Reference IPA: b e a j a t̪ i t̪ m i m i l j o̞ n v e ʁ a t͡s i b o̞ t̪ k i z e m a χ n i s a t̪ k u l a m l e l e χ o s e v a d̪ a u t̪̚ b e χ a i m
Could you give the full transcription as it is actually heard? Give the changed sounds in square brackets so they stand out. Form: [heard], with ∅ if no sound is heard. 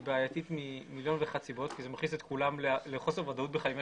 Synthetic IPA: b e a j a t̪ i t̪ m i m i l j o̞ n v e [χ] a t͡s i b o̞ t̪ k i z e m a χ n i s [e] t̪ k u l a m l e l e χ o s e v a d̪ a u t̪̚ b e χ a i m